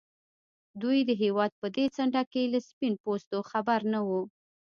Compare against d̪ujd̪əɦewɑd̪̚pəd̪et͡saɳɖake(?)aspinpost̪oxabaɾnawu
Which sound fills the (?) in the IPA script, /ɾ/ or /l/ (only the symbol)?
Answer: l